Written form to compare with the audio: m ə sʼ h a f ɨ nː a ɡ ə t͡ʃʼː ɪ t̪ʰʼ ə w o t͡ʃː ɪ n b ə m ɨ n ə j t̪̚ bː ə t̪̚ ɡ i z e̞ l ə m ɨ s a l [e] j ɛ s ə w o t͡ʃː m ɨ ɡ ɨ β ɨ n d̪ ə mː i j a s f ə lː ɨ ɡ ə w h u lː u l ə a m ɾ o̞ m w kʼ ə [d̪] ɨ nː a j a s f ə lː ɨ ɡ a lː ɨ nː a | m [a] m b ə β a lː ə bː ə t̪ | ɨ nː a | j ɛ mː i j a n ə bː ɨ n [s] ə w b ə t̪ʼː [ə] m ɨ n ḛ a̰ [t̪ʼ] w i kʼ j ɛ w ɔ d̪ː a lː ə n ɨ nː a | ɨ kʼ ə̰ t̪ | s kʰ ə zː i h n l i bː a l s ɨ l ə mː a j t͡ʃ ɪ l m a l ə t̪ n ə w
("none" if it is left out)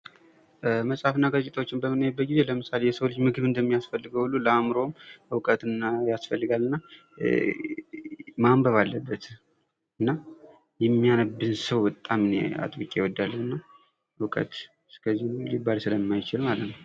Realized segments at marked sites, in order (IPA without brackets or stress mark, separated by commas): e, t̪, a, s, a, t̪ʼ